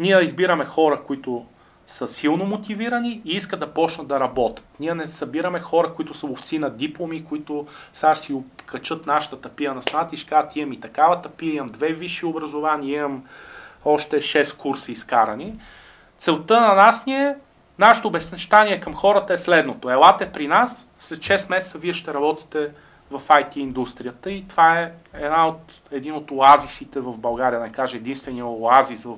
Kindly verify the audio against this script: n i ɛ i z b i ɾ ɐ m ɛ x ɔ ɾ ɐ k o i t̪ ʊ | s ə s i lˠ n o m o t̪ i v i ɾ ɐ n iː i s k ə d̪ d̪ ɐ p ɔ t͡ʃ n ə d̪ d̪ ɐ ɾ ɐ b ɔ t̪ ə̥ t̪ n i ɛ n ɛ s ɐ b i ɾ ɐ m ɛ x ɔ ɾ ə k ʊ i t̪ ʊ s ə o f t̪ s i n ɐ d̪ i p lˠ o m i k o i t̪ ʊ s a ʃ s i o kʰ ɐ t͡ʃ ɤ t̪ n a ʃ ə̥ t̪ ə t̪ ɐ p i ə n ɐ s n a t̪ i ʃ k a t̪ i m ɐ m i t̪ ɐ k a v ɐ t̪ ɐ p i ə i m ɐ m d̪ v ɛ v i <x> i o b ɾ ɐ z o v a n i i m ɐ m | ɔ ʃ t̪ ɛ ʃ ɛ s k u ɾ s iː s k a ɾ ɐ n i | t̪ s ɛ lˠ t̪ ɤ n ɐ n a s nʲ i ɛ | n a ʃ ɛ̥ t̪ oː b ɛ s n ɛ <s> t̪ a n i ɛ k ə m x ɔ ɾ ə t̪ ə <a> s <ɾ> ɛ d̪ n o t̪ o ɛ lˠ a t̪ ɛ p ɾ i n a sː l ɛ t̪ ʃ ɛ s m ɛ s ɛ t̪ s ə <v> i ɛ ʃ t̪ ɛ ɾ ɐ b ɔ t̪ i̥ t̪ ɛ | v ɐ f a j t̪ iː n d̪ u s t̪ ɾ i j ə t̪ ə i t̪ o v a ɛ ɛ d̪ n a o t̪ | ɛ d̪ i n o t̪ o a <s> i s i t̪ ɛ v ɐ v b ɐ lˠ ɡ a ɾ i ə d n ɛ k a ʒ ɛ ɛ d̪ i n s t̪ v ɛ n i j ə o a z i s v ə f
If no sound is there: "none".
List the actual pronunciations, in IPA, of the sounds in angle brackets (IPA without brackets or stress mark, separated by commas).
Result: ʃ, ʃ, ɛ, l, v, z